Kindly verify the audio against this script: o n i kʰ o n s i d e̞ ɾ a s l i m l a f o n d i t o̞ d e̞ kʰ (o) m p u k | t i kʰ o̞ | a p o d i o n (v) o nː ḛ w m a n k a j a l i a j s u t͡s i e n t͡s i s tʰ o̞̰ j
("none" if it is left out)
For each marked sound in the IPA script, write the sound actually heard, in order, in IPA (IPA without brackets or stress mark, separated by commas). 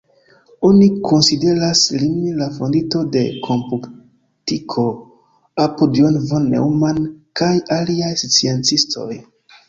o, v